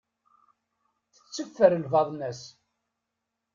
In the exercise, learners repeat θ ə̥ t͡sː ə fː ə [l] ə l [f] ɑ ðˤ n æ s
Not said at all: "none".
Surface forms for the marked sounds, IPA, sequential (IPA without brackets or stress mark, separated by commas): ɾ, v